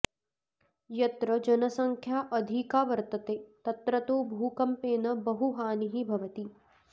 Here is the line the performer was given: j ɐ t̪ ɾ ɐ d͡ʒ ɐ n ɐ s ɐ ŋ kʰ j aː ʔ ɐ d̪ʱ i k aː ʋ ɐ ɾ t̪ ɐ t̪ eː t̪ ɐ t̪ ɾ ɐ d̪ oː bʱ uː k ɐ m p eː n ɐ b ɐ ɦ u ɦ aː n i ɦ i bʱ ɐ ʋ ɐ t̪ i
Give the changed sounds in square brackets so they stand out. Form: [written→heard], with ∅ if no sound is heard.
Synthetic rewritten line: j ɐ t̪ ɾ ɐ d͡ʒ ɐ n ɐ s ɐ ŋ kʰ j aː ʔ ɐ d̪ʱ i k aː ʋ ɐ ɾ t̪ ɐ t̪ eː t̪ ɐ t̪ ɾ ɐ [d̪→t̪] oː bʱ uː k ɐ m p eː n ɐ b ɐ ɦ u ɦ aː n i ɦ i bʱ ɐ ʋ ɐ t̪ i